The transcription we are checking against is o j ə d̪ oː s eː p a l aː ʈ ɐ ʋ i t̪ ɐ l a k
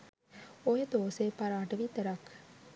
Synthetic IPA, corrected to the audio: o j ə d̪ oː s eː p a ɾ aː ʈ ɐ ʋ i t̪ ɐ ɾ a k